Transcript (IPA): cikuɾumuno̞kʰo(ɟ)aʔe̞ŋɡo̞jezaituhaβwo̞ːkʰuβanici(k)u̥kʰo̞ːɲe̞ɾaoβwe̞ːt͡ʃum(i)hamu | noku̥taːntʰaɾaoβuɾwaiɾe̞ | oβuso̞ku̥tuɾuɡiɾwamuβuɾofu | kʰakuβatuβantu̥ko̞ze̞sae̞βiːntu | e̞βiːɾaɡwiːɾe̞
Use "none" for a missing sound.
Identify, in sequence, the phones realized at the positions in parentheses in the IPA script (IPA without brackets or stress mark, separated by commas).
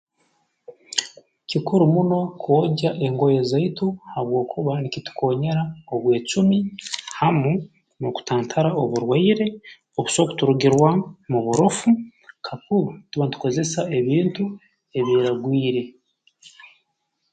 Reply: ɟ, t, i